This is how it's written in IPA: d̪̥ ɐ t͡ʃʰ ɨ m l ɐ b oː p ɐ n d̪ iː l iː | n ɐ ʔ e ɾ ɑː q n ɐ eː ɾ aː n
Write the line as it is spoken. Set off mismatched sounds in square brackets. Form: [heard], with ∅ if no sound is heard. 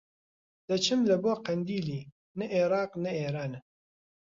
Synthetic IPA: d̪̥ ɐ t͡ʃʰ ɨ m l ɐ b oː [q] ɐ n d̪ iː l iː | n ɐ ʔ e ɾ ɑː q n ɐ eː ɾ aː n